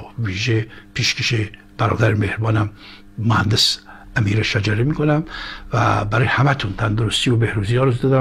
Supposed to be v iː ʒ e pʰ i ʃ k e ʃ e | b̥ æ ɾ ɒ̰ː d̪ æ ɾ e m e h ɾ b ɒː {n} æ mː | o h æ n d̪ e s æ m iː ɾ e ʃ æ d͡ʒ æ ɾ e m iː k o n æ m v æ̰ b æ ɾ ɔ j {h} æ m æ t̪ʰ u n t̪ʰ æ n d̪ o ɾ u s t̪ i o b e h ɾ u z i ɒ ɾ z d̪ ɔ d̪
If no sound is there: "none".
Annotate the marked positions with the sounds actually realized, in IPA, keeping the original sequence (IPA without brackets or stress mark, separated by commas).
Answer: n, h